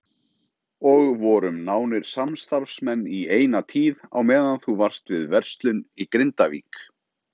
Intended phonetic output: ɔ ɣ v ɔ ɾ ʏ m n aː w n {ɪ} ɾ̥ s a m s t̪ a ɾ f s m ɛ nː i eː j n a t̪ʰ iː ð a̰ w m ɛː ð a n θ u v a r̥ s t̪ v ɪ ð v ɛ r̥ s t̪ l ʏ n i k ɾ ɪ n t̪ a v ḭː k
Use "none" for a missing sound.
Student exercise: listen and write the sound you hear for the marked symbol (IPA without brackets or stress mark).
ɪ